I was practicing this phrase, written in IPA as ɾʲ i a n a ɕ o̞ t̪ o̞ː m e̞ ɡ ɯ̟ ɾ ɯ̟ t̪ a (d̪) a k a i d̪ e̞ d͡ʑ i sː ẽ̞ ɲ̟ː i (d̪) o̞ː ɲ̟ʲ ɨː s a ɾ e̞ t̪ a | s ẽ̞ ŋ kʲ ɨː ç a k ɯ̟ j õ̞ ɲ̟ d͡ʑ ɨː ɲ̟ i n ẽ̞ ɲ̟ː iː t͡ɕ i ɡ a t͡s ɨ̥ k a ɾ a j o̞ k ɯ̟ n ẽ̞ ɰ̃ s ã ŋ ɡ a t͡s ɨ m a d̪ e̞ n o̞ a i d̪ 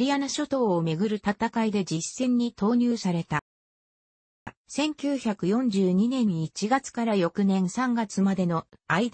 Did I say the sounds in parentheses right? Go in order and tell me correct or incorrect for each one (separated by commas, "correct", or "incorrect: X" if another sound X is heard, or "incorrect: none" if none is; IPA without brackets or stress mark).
incorrect: t̪, incorrect: t̪